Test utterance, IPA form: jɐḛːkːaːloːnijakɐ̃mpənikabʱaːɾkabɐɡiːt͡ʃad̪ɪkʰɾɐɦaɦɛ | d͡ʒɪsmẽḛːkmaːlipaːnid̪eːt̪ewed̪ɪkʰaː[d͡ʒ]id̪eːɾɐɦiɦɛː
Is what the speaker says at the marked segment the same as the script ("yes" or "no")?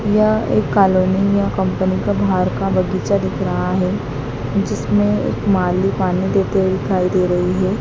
no